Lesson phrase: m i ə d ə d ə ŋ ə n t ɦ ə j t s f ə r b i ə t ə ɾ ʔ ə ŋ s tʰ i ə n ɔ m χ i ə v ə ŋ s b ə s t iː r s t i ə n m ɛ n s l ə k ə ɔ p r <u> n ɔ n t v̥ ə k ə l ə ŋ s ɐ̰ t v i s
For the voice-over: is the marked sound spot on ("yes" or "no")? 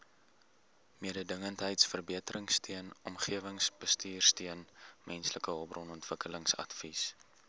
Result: no